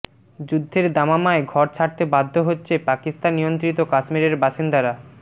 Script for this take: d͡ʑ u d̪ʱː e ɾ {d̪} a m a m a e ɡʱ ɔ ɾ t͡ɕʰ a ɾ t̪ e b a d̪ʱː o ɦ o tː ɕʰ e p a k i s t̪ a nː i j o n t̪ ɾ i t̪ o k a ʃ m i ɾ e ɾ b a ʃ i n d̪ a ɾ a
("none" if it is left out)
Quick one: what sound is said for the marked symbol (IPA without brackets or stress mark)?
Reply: d̪